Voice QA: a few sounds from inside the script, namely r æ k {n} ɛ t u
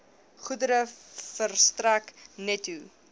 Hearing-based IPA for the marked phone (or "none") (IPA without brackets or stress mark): n